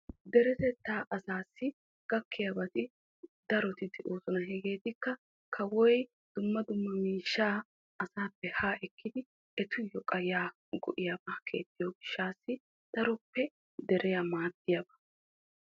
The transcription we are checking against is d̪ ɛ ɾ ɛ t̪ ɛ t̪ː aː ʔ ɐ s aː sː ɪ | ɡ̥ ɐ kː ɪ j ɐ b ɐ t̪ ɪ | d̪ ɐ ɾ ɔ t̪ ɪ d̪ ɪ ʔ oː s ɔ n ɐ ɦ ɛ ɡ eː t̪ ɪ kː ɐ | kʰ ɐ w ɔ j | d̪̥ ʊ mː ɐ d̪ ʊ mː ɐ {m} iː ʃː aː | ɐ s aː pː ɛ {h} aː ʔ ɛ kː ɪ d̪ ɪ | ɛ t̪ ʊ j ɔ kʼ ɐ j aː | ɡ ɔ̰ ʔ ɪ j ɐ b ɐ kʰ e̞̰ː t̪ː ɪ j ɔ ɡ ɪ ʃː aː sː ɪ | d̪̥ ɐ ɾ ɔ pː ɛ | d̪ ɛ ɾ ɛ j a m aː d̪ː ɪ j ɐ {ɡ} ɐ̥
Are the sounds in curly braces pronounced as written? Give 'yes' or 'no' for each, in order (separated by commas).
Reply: yes, yes, no